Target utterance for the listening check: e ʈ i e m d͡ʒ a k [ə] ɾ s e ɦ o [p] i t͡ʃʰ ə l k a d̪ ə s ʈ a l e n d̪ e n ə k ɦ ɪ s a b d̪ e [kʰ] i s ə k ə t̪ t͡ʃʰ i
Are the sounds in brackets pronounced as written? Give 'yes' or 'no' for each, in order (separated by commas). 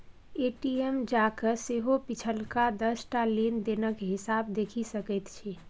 yes, yes, yes